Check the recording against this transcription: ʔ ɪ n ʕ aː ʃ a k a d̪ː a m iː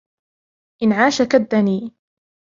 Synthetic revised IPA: ʔ ɪ n ʕ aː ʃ a k a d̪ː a n iː